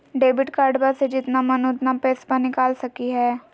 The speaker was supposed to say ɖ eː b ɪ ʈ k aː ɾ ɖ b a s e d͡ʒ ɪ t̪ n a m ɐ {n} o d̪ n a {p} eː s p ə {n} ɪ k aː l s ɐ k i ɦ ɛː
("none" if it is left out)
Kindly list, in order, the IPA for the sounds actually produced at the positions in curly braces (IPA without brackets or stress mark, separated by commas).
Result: n, p, n